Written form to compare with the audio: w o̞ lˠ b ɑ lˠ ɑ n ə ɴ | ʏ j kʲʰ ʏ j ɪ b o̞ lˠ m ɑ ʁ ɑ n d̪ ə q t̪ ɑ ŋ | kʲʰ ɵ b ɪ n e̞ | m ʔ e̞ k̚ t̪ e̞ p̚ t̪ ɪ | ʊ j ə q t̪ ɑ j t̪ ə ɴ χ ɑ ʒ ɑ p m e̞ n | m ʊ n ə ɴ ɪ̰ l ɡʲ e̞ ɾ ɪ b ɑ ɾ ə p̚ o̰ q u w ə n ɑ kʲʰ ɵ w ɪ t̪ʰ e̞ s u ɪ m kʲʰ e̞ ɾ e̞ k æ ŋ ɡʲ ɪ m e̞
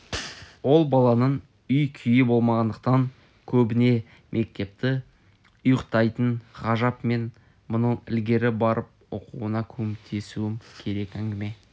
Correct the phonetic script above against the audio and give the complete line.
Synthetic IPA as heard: w o̞ lˠ b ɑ lˠ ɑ n ə ɴ | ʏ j kʲʰ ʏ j ɪ b o̞ lˠ m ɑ ʁ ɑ n d̪ ə q t̪ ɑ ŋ | kʲʰ ɵ b ɪ n e̞ | m ʔ e̞ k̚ t̪ e̞ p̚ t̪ ɪ | ʊ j ə q t̪ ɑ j t̪ ə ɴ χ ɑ ʒ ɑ p m e̞ n | m ʊ n ə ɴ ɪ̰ l ɡʲ e̞ ɾ ɪ b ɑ ɾ ə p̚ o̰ q u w ə n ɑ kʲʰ ɵ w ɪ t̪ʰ e̞ s u ɪ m kʲʰ e̞ ɾ e̞ k æ ŋ ɡʲ ɪ m e̞

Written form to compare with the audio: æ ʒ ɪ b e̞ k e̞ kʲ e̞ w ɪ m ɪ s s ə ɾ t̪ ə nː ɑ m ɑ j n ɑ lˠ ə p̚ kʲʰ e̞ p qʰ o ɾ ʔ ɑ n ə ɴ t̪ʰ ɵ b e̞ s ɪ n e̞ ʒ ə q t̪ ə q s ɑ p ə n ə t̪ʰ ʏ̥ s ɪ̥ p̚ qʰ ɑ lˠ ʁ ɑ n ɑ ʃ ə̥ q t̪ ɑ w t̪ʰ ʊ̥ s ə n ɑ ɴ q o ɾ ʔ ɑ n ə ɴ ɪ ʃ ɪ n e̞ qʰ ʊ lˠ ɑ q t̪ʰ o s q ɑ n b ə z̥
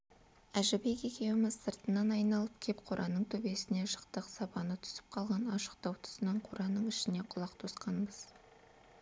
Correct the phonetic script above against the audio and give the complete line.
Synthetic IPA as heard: æ ʒ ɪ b e̞ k e̞ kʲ e̞ w ɪ m ɪ z s ə ɾ t̪ ə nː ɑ n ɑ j n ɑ lˠ ə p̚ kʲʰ e̞ p qʰ o ɾ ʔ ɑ n ə ɴ t̪ʰ ɵ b e̞ s ɪ n e̞ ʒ ə q t̪ ə q s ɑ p ɑ n ə t̪ʰ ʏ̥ s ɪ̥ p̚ qʰ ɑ lˠ ʁ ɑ n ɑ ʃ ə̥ q t̪ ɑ w t̪ʰ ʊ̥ s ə n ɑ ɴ qʰ o ɾ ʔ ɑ n ə ɴ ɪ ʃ ɪ n e̞ qʰ ʊ lˠ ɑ q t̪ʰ o s q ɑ n b ə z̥

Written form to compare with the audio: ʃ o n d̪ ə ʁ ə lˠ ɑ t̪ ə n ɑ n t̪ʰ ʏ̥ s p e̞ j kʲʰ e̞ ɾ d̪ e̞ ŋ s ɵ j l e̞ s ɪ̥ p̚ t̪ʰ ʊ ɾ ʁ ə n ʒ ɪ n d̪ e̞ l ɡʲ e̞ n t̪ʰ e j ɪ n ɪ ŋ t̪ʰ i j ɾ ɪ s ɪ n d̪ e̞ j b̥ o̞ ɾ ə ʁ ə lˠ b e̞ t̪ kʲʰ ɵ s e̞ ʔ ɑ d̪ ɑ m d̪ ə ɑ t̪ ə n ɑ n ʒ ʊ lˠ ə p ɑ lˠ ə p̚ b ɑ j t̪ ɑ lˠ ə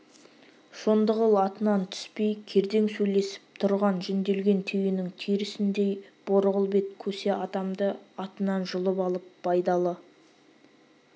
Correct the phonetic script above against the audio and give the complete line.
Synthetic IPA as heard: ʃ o n d̪ ə ʁ ə lˠ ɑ t̪ ə n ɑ n t̪ʰ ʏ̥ s p e̞ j kʲʰ e̞ ɾ d̪ e̞ ŋ s ɵ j l e̞ s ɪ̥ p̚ t̪ʰ ʊ ɾ ʁ ɑ n ʒ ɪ n d̪ e̞ l ɡʲ e̞ n t̪ʰ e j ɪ n ɪ ŋ t̪ʰ i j ɾ ɪ s ɪ n d̪ e̞ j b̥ o̞ ɾ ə ʁ ə lˠ b e̞ t̪ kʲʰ ɵ s e̞ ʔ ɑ d̪ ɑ m d̪ ə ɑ t̪ ə n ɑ n ʒ ʊ lˠ ə p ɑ lˠ ə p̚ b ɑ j d̪ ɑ lˠ ə

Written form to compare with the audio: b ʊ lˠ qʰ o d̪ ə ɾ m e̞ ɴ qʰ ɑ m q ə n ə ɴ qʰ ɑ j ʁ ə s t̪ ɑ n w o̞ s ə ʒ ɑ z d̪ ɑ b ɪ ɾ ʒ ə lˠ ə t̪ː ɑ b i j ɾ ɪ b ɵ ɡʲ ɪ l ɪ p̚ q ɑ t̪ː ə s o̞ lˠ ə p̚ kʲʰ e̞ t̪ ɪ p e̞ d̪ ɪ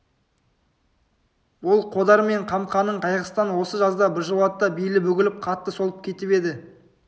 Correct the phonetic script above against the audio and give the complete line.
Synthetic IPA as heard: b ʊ lˠ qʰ o d̪ ɑ ɾ m e̞ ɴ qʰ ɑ m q ɑ n ə ɴ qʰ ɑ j ʁ ə s t̪ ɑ n w o̞ s ə ʒ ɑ z d̪ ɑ b ɪ ɾ ʒ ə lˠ ɑ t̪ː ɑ b i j l ɪ b ɵ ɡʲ ɪ l ɪ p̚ qʰ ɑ t̪ː ə s o̞ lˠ ə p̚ kʲʰ e̞ t̪ ɪ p e̞ d̪ ɪ

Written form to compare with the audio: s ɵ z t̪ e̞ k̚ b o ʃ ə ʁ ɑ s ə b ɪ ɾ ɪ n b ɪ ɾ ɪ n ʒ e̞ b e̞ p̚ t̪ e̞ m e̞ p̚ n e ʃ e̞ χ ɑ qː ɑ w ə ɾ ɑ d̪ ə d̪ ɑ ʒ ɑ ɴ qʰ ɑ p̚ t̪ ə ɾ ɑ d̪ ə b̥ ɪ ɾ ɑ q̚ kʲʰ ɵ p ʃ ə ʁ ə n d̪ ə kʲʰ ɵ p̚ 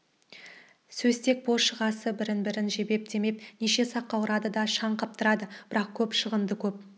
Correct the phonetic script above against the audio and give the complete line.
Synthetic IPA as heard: s ɵ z t̪ e̞ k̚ b o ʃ ə ʁ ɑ s ə b ɪ ɾ ɪ n b ɪ ɾ ɪ n ʒ e̞ b e̞ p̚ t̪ e̞ m e̞ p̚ n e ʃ e̞ s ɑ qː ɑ w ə ɾ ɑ d̪ ə d̪ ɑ ʃ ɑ ɴ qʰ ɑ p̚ t̪ ə ɾ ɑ d̪ ə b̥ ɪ ɾ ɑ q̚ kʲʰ ɵ p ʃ ə ʁ ə n d̪ ə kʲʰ ɵ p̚

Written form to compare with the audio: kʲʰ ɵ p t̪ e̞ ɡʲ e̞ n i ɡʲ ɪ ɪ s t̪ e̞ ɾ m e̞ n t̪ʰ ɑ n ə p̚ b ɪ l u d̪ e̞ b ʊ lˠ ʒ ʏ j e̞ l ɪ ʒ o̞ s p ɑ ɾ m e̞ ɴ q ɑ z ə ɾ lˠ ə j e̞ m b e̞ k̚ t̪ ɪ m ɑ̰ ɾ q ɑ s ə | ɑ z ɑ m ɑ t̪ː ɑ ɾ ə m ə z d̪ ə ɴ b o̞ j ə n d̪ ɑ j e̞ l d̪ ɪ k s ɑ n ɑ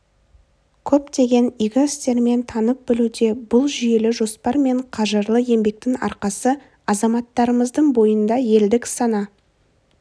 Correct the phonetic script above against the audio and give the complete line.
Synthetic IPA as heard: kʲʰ ɵ p t̪ e̞ ɡʲ e̞ n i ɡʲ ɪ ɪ s t̪ e̞ ɾ m e̞ n t̪ʰ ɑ n ə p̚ b ɪ l u d̪ e̞ b ʊ lˠ ʒ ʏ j e̞ l ɪ ʒ o̞ s p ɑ ɾ m e̞ ɴ qʰ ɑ ʒ ə ɾ lˠ ə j e̞ m b e̞ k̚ t̪ ɪ ŋ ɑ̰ ɾ q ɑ s ə | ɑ z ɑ m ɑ t̪ː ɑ ɾ ə m ə z d̪ ə ɴ b o̞ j ə n d̪ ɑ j e̞ l d̪ ɪ k s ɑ n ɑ

